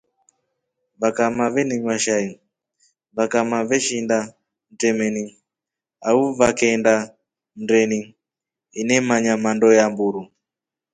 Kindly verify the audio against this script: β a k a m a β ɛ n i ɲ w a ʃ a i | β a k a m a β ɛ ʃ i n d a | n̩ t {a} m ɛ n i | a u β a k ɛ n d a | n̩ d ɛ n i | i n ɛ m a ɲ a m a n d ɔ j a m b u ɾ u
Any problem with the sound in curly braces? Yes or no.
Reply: yes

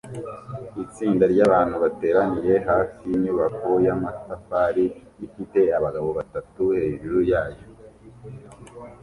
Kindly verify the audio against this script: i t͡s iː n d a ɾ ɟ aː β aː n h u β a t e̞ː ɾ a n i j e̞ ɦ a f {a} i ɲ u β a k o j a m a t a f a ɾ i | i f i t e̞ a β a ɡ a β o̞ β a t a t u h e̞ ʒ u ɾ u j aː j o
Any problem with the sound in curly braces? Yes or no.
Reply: yes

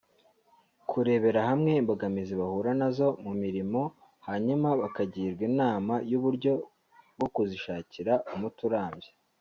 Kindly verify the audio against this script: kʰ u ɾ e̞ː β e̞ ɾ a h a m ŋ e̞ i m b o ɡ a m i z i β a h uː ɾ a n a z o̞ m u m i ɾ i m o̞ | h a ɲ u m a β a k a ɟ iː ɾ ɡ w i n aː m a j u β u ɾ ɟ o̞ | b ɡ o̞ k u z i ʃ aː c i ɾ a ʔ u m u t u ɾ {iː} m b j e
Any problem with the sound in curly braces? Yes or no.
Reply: yes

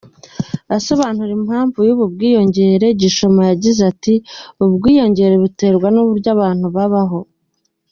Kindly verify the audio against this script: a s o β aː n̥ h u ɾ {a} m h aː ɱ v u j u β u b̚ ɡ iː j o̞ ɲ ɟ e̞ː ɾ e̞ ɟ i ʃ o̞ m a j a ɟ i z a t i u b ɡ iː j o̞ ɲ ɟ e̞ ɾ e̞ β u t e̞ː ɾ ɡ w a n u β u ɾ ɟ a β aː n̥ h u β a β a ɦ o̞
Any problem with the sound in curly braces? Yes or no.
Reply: yes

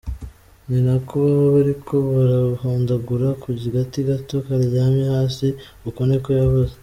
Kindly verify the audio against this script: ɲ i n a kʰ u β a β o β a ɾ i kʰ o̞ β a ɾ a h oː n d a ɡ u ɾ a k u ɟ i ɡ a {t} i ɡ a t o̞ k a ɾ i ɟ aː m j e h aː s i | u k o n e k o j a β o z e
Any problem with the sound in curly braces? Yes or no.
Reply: no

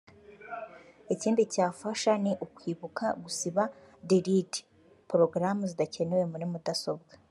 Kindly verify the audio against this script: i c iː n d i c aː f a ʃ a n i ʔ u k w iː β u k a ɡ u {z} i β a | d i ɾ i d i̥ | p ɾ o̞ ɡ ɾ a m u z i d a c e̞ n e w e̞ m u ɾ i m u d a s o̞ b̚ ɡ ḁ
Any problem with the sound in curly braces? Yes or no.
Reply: yes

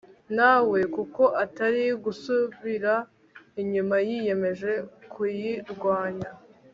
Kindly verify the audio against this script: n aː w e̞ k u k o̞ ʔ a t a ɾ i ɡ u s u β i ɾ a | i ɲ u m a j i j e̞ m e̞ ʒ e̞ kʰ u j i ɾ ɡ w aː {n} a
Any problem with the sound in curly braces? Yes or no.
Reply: yes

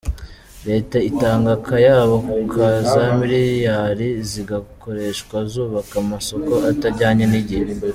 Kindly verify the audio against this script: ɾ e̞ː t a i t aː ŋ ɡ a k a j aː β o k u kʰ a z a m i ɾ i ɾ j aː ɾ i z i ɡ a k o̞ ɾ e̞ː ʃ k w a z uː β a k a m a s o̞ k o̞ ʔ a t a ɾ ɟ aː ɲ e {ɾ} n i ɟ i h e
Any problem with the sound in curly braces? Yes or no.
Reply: yes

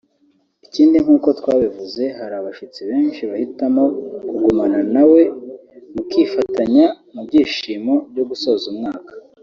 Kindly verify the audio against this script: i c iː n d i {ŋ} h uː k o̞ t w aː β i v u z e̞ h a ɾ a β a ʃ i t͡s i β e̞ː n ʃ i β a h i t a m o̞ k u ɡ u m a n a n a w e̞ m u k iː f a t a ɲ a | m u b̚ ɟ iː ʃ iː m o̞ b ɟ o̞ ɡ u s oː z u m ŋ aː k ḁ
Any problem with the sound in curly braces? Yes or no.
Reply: no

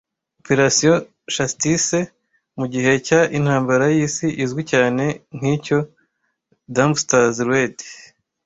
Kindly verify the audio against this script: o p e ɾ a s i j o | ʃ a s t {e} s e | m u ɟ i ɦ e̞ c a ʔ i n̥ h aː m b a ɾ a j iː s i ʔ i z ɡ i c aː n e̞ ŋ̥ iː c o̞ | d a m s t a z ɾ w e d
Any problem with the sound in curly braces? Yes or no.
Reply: yes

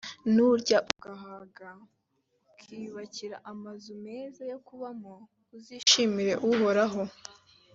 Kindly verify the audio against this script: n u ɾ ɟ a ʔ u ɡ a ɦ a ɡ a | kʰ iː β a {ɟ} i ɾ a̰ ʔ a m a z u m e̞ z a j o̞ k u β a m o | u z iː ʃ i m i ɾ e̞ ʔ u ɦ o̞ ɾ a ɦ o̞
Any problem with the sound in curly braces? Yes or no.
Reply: yes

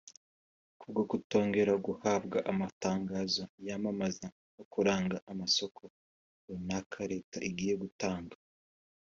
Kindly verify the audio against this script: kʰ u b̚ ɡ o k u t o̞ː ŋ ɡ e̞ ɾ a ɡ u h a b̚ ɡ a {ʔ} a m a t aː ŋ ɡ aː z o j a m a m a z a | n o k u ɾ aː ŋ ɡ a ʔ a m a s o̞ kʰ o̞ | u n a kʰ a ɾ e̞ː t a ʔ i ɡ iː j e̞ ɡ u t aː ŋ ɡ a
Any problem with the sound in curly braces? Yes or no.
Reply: no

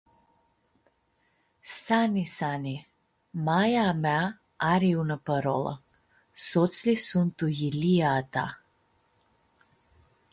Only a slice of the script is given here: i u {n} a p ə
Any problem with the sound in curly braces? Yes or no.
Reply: no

